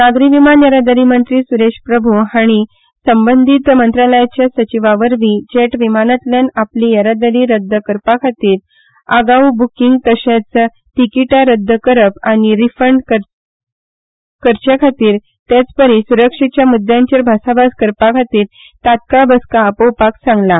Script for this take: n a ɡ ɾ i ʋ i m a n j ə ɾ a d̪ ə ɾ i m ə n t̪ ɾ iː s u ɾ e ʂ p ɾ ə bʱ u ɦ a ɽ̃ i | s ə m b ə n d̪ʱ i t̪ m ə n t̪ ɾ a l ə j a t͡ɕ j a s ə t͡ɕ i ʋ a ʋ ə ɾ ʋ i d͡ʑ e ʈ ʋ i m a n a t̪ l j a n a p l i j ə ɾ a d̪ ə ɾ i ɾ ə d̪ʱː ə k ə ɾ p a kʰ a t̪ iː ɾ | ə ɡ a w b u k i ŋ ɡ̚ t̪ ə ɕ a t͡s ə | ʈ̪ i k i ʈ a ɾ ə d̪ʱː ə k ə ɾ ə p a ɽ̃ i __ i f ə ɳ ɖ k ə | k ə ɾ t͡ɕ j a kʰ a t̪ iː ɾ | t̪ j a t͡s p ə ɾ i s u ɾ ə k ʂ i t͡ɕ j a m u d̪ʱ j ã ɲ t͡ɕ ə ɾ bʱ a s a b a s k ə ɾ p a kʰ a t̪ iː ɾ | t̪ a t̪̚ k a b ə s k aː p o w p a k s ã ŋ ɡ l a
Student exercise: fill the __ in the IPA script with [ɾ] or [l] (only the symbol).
ɾ